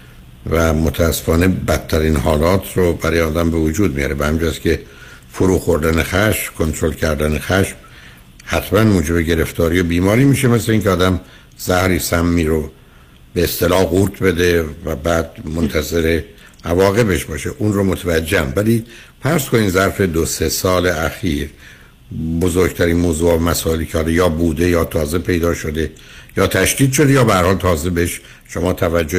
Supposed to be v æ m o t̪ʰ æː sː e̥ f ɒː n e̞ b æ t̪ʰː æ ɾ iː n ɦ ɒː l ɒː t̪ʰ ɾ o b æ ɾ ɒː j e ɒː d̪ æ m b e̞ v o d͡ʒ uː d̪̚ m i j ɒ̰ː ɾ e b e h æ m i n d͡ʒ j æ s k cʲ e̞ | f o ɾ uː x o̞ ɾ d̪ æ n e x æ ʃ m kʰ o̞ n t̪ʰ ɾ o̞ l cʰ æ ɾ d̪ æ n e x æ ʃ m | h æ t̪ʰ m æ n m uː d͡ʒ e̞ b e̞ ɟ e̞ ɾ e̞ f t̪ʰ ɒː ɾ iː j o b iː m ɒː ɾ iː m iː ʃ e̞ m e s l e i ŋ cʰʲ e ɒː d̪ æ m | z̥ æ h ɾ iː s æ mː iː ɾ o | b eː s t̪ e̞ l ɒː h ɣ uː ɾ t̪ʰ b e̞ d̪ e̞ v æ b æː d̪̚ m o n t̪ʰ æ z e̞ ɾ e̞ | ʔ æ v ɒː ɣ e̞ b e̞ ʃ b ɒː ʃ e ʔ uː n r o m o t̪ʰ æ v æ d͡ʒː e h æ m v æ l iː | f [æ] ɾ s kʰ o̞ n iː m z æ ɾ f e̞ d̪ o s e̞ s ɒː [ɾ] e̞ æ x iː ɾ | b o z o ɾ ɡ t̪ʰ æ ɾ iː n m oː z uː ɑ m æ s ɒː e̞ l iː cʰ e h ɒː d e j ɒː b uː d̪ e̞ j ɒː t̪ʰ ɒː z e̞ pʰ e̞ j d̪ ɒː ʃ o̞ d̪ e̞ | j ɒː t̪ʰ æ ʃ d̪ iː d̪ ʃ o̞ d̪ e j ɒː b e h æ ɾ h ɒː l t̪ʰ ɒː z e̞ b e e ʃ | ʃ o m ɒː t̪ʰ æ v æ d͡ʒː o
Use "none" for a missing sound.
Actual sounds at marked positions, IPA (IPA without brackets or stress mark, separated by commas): æ, l